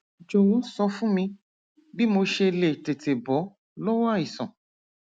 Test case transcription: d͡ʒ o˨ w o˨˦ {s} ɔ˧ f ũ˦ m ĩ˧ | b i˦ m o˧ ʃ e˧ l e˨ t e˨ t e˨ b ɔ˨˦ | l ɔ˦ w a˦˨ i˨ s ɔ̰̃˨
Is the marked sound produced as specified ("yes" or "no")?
yes